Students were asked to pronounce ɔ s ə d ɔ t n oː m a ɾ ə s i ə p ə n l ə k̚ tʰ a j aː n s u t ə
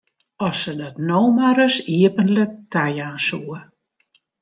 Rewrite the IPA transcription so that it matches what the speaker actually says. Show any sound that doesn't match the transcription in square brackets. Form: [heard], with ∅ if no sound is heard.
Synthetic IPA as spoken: ɔ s ə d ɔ t n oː m a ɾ ə s i ə p ə n l ə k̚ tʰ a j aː n s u [∅] ə